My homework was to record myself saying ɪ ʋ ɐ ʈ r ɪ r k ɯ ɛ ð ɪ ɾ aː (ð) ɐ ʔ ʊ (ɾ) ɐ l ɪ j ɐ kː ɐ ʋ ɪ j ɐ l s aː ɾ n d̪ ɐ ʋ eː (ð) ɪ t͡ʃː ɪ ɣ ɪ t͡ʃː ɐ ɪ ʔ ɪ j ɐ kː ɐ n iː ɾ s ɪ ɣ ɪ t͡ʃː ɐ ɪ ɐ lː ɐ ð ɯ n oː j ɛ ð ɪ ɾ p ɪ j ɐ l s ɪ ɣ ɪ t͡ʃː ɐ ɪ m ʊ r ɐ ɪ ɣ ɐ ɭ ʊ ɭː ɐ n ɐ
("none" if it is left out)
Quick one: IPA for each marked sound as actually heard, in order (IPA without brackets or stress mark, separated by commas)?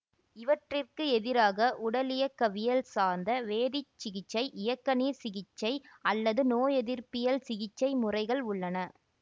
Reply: ɣ, ɽ, ð